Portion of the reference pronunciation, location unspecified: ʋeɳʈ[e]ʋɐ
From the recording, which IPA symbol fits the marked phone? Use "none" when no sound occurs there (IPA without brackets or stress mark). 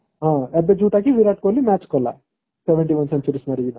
i